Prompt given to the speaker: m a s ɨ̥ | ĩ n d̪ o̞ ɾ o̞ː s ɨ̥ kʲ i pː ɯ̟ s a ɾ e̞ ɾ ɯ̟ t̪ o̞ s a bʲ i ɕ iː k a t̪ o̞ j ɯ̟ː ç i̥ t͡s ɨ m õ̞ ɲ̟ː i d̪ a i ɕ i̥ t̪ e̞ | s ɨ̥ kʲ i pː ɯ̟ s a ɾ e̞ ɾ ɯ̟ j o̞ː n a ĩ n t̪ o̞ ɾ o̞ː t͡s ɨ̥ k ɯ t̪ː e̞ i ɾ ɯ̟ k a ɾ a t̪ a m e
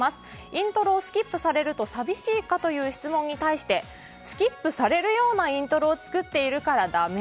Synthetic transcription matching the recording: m a s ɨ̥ | ĩ n t̪ o̞ ɾ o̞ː s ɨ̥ kʲ i pː ɯ̟ s a ɾ e̞ ɾ ɯ̟ t̪ o̞ s a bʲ i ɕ iː k a t̪ o̞ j ɯ̟ː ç i̥ t͡s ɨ m õ̞ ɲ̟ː i t̪ a i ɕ i̥ t̪ e̞ | s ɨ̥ kʲ i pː ɯ̟ s a ɾ e̞ ɾ ɯ̟ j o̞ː n a ĩ n t̪ o̞ ɾ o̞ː t͡s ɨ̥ k ɯ t̪ː e̞ i ɾ ɯ̟ k a ɾ a d̪ a m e